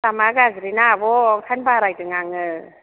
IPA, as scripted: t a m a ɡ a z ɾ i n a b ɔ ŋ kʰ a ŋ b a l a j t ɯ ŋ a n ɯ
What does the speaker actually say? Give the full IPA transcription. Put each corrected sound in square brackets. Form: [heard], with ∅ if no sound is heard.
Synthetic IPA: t a m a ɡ a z ɾ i n a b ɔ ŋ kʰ a [n] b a [ɾ] a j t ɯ ŋ a [ŋ] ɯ